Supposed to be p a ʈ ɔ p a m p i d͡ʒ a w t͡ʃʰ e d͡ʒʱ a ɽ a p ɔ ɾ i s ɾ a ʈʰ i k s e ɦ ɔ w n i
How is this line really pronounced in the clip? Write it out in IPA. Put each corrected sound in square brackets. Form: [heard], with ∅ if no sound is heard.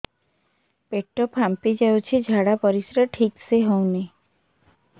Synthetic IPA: p [e] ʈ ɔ p a m p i d͡ʒ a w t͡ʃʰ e d͡ʒʱ a ɽ a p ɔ ɾ i s ɾ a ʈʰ i k s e ɦ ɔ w n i